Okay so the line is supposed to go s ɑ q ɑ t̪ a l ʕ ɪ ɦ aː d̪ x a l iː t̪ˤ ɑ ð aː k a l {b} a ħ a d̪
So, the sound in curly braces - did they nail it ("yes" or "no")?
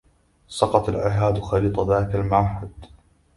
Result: no